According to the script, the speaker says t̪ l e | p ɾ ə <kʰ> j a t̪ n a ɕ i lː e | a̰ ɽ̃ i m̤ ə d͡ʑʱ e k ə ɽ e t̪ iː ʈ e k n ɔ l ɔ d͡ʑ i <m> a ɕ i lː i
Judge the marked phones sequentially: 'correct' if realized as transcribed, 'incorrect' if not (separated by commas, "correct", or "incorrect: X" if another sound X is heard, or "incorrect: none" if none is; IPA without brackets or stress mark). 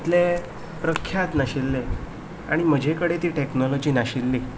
correct, incorrect: n